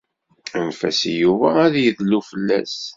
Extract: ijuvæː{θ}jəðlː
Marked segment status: incorrect: ð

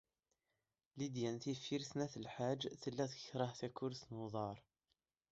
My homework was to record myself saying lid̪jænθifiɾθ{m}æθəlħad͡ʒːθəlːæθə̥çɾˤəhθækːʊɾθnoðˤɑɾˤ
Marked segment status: incorrect: n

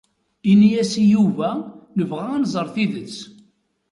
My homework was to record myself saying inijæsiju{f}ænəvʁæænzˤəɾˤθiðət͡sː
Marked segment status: incorrect: v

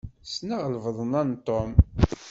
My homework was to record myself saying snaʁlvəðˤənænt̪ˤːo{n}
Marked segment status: incorrect: m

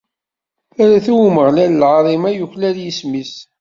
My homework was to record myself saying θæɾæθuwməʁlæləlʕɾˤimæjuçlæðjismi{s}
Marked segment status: correct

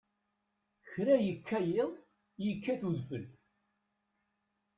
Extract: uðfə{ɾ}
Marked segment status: incorrect: l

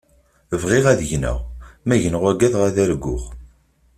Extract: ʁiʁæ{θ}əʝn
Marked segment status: incorrect: ð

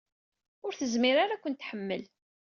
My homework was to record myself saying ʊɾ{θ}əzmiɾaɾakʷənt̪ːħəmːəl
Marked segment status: correct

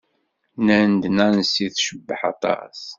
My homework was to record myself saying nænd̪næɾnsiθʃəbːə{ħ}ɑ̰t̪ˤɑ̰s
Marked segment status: correct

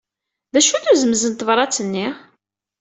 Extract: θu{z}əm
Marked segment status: correct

